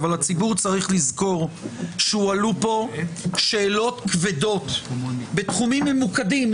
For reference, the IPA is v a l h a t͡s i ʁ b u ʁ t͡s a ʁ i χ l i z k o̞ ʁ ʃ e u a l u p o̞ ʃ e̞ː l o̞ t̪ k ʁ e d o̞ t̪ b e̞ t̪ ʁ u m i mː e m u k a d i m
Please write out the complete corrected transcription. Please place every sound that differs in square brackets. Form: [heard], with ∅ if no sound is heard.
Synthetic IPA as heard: v a l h a t͡s i [∅] b u ʁ t͡s a ʁ i χ l i z k o̞ ʁ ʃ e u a l u p o̞ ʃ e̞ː l o̞ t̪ k [v] e d o̞ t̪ b e̞ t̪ [χ] u m i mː e m u k a d i m